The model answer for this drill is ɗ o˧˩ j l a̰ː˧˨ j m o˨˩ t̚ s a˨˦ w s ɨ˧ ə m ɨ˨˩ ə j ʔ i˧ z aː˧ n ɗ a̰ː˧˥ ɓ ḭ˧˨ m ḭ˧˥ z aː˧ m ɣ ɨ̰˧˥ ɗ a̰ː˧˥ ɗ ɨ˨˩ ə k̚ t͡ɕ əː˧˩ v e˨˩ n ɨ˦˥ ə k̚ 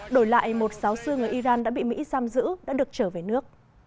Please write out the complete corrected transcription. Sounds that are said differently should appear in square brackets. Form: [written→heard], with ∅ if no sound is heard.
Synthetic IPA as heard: ɗ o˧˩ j l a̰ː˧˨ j m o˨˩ t̚ s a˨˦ w s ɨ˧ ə [m→ŋ] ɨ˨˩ ə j ʔ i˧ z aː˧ n ɗ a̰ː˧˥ ɓ ḭ˧˨ m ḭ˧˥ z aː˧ m [ɣ→z] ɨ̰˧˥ ɗ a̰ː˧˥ ɗ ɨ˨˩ ə k̚ t͡ɕ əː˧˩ v e˨˩ n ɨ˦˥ ə k̚